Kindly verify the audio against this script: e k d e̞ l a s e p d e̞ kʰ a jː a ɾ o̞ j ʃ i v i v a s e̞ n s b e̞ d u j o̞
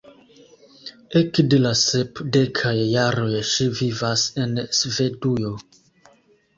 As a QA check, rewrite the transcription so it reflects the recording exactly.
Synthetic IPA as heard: e k d e̞ l a s e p d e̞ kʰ a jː a ɾ o̞ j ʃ i v i v a s e̞ n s v e̞ d u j o̞